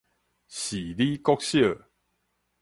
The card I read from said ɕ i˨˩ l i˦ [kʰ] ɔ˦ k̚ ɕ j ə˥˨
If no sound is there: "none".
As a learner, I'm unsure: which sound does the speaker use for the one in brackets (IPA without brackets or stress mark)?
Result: k